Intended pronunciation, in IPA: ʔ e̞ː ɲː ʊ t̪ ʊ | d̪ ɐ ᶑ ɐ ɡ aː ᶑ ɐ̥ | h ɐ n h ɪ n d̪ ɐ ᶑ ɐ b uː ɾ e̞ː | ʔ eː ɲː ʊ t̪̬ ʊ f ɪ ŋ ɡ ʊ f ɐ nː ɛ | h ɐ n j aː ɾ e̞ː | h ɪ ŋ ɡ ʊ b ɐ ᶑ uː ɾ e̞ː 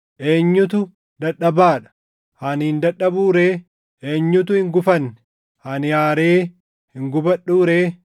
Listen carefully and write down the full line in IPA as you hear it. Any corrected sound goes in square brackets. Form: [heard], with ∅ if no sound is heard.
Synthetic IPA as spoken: ʔ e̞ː ɲː ʊ t̪ ʊ | d̪ ɐ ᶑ ɐ [b] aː ᶑ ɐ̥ | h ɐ n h ɪ n d̪ ɐ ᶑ ɐ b uː ɾ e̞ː | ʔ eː ɲː ʊ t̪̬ ʊ [h] ɪ ŋ ɡ ʊ f ɐ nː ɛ | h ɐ n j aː ɾ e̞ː | h ɪ ŋ ɡ ʊ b ɐ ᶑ uː ɾ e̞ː

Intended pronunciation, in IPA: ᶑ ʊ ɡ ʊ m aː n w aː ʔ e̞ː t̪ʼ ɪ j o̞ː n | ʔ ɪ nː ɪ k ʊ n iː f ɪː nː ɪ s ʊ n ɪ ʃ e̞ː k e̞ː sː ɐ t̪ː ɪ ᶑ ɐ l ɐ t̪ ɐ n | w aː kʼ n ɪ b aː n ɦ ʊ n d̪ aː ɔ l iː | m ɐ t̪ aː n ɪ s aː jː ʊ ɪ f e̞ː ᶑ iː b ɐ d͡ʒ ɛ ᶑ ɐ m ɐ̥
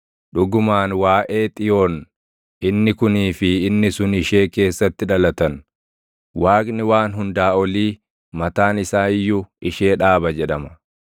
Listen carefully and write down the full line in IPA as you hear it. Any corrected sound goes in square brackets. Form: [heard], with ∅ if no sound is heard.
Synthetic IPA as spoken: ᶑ ʊ ɡ ʊ m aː n w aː ʔ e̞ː t̪ʼ ɪ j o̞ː n | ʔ ɪ nː ɪ k ʊ n iː f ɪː nː ɪ s ʊ n ɪ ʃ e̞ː k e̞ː sː ɐ t̪ː ɪ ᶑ ɐ l ɐ t̪ ɐ n | w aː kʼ n ɪ [w] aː n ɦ ʊ n d̪ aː ɔ l iː | m ɐ t̪ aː n ɪ s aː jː ʊ ɪ [ʃ] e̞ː ᶑ [aː] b ɐ d͡ʒ ɛ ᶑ ɐ m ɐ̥

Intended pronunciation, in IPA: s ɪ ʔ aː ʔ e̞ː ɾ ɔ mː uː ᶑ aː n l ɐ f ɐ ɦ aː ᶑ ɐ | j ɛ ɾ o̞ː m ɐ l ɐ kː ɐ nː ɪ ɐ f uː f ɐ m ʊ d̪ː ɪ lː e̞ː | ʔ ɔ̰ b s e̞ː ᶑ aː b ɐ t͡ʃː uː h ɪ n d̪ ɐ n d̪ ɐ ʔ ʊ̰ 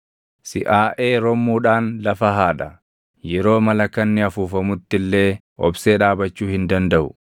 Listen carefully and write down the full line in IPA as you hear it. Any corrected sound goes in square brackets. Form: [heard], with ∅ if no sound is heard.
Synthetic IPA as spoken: s ɪ ʔ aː ʔ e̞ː ɾ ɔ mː uː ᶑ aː n l ɐ f ɐ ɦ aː ᶑ ɐ | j ɛ ɾ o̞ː m ɐ l ɐ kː ɐ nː ɪ ɐ f uː f ɐ m ʊ [t̪ː] ɪ lː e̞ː | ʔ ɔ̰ b s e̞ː ᶑ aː b ɐ t͡ʃː uː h ɪ n d̪ ɐ n d̪ ɐ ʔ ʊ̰

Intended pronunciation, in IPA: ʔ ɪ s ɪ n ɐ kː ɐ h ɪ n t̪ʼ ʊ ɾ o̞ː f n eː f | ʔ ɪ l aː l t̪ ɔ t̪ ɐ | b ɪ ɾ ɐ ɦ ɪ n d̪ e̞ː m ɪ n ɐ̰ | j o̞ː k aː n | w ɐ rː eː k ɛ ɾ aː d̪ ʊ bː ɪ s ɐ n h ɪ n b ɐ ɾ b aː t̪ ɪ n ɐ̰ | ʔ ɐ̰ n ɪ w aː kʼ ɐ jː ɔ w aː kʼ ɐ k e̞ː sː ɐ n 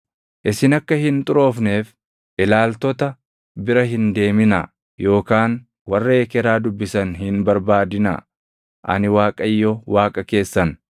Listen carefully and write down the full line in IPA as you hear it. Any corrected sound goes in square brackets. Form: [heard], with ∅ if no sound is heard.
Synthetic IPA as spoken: ʔ ɪ s ɪ n ɐ kː ɐ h ɪ n t̪ʼ ʊ ɾ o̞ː f n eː f | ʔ ɪ l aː l t̪ ɔ t̪ ɐ | b ɪ ɾ ɐ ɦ ɪ n d̪ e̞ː m ɪ n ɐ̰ | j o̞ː k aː n | w ɐ rː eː k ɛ ɾ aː d̪ ʊ bː ɪ s ɐ n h ɪ n b ɐ ɾ b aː [d̪] ɪ n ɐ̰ | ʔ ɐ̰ n ɪ w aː kʼ ɐ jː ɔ w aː kʼ ɐ k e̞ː sː ɐ n

